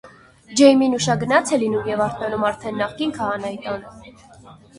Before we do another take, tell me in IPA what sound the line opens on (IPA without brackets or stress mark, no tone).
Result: d͡ʒ